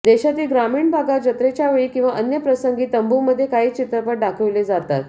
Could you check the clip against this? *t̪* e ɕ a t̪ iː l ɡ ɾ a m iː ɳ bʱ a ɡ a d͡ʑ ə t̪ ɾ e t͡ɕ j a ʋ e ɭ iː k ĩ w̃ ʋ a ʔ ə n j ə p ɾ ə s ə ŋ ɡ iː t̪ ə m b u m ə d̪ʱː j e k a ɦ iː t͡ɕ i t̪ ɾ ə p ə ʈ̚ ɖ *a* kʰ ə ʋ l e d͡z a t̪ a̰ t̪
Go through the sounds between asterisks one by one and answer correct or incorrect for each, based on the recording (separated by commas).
incorrect, correct